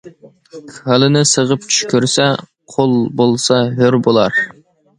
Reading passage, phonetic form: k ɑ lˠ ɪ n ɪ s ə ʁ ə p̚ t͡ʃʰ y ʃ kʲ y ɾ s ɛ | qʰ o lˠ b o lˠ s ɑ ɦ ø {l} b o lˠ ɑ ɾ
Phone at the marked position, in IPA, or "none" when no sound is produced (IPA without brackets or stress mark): ɾ